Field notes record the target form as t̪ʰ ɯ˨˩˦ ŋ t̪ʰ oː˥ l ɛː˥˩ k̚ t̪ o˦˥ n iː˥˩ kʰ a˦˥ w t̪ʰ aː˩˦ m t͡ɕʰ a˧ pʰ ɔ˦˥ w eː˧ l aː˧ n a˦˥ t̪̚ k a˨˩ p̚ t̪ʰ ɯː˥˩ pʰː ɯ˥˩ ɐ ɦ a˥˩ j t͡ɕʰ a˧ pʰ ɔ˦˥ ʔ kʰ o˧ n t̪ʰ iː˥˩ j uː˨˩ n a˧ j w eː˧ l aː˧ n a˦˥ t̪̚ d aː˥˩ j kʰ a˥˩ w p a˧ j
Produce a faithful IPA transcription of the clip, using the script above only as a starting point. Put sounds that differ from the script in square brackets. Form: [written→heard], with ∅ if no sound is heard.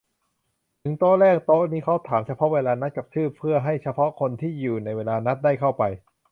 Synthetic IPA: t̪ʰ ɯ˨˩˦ ŋ [t̪ʰ→t̪] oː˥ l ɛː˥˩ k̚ t̪ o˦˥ n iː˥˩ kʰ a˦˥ w t̪ʰ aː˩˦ m t͡ɕʰ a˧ pʰ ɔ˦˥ w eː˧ l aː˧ n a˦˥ t̪̚ k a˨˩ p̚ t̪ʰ ɯː˥˩ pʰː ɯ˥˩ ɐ ɦ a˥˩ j t͡ɕʰ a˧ pʰ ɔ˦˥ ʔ kʰ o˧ n t̪ʰ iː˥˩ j uː˨˩ n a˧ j w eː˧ l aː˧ n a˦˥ t̪̚ d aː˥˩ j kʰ a˥˩ w p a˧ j